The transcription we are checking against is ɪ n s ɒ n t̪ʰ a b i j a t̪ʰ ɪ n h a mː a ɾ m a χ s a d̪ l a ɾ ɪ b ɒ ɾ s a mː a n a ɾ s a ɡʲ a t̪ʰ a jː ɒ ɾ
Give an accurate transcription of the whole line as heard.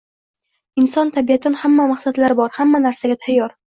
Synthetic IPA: ɪ n s ɒ n t̪ʰ a b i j a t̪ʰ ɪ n h a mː a m a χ s a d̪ l a ɾ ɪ b ɒ ɾ h a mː a n a ɾ s a ɡʲ a t̪ʰ a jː ɒ ɾ

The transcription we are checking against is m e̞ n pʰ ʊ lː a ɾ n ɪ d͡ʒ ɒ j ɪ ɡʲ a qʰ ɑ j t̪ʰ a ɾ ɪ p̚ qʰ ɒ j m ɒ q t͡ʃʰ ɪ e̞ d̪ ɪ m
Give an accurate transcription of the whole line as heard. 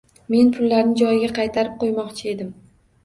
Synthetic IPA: m e̞ n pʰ ʊ lː a ɾ n ɪ d͡ʒ ɒ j ɪ ɡʲ a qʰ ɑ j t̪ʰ a ɾ ɪ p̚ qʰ o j m ɒ q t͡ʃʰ ɪ e̞ d̪ ɪ m

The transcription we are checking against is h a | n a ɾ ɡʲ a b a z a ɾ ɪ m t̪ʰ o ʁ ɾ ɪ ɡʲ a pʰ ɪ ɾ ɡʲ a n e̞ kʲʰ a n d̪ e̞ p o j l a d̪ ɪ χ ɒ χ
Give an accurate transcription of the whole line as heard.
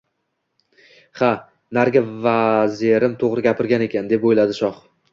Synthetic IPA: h a | n a ɾ ɡʲ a v a z e ɾ ɪ m t̪ʰ o ʁ ɾ ɪ ɡʲ a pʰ ɪ ɾ ɡʲ a n e̞ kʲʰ a n d̪ e̞ p o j l a d̪ ɪ ʃ ɒ χ

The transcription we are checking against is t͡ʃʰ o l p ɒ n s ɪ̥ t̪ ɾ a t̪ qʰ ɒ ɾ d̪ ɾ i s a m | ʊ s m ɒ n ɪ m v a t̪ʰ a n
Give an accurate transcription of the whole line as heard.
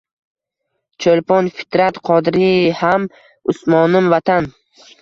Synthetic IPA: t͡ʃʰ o l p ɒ n f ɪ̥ t̪ ɾ a t̪ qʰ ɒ d̪ ɾ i h a m | ʊ s m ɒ n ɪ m v a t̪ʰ a n

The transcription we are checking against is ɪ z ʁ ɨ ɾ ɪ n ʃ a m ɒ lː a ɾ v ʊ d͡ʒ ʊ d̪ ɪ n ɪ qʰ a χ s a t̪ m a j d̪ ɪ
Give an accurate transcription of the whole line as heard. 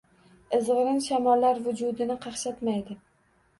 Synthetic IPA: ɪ z ʁ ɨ ɾ ɪ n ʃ a m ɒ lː a ɾ v ʊ d͡ʒ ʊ d̪ ɪ n ɪ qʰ ɑ χ ʃ a t̪ m a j d̪ ɪ

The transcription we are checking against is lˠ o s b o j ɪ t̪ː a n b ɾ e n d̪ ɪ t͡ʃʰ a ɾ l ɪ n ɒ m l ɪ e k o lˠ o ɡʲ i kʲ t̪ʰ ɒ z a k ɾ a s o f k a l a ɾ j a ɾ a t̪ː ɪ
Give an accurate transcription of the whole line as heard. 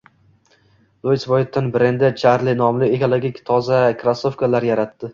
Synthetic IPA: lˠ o s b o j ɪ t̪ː a n b ɾ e n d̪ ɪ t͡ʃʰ a ɾ l ɪ n ɒ m l ɪ e k o lˠ o ɡʲ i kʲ t̪ʰ ɒ z a k ɾ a s o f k a l a ɾ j a ɾ a t̪ː ɪ

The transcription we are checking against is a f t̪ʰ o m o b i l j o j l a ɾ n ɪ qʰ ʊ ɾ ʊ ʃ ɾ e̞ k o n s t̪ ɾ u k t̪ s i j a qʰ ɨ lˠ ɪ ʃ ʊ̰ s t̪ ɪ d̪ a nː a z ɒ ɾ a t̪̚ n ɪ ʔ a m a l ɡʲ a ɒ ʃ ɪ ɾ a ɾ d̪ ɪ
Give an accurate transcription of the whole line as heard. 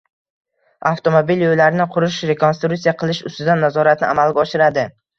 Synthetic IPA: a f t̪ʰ o m o b i l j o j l a ɾ n ɪ qʰ ʊ ɾ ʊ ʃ ɾ e̞ k o n s t̪ ɾ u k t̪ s i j a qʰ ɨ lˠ ɪ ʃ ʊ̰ s t̪ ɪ d̪ a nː a z ɒ ɾ a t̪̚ n ɪ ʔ a m a l ɡʲ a ɒ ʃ ɪ ɾ a d̪ ɪ

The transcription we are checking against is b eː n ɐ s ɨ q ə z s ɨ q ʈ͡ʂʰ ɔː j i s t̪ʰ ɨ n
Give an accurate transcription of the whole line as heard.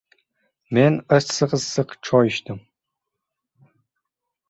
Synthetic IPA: m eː n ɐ s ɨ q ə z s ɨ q ʈ͡ʂʰ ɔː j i ʃ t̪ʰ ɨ m

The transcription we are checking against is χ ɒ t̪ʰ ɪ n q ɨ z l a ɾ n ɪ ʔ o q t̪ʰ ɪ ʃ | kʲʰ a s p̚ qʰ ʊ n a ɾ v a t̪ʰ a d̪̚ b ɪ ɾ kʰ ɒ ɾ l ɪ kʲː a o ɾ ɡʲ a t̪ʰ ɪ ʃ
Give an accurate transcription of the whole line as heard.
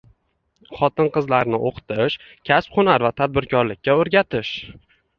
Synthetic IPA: χ ɒ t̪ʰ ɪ n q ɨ z l a ɾ n ɪ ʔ o q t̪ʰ ɪ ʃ | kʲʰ a s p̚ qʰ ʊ n a ɾ v a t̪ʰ a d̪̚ b ɪ ɾ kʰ ɒ ɾ l ɪ kʲː a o ɾ ɡʲ a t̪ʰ ɪ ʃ

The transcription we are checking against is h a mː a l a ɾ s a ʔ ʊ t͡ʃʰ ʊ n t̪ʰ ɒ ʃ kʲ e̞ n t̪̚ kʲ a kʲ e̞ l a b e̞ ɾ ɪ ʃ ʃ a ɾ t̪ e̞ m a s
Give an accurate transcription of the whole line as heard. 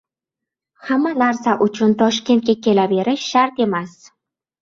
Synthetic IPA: h a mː a l a ɾ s a ʔ ʊ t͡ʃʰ ʊ n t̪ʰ ɒ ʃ kʲ e̞ n t̪̚ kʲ a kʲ e̞ l a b e̞ ɾ ɪ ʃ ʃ a ɾ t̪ e̞ m a s

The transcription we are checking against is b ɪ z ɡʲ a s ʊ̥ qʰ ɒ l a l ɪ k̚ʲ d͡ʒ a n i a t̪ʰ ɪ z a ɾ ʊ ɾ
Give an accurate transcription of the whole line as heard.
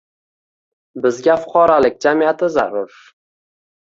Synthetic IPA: b ɪ z ɡʲ a f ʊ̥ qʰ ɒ ɾ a l ɪ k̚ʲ d͡ʒ a m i a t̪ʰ ɪ z a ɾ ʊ ɾ

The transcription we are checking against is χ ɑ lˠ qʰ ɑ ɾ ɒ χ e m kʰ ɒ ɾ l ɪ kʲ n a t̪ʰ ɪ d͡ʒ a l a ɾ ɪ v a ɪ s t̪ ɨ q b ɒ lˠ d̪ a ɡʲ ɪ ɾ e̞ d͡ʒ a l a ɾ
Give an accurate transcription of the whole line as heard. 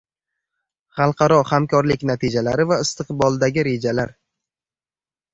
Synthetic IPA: χ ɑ lˠ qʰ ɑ ɾ ɒ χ a m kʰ ɒ ɾ l ɪ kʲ n a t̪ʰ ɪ d͡ʒ a l a ɾ ɪ v a ɪ s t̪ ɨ q b ɒ lˠ d̪ a ɡʲ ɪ ɾ e̞ d͡ʒ a l a ɾ

